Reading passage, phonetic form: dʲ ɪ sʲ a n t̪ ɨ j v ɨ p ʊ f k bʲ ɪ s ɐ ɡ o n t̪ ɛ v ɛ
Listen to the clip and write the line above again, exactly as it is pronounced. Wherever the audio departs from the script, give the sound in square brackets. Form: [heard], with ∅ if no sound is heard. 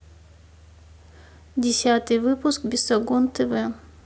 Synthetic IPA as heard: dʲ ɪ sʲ a [∅] t̪ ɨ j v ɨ p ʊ [s] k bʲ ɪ s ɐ ɡ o n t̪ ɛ v ɛ